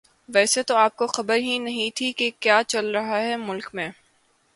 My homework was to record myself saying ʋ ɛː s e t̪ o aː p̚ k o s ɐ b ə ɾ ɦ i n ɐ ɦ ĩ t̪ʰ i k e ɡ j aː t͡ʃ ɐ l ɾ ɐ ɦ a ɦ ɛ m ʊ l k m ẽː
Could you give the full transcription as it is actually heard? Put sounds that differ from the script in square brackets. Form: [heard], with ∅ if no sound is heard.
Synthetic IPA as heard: ʋ ɛː s e t̪ o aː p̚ k o [x] ɐ b ə ɾ ɦ i n ɐ ɦ ĩ t̪ʰ i k e [k] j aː t͡ʃ ɐ l ɾ ɐ ɦ a ɦ ɛ m ʊ l k m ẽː